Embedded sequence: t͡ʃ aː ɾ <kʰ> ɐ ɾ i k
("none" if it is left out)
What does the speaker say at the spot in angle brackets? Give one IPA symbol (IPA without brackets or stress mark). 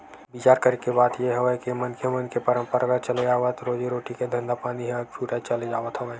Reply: k